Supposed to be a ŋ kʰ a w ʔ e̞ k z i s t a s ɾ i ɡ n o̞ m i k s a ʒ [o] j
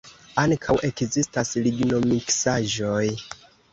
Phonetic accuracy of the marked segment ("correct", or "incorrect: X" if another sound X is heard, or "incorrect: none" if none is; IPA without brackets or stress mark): correct